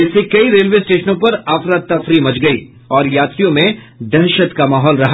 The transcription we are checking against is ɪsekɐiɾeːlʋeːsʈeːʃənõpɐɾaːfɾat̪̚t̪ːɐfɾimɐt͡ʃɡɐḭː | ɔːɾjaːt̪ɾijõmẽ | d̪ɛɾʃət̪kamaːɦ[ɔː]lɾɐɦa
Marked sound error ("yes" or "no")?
no